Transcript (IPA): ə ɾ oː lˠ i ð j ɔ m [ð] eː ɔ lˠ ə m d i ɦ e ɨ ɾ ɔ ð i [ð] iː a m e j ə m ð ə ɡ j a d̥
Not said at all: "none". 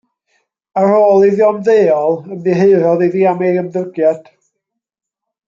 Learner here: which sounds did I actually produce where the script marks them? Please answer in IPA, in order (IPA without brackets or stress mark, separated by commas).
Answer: ð, ð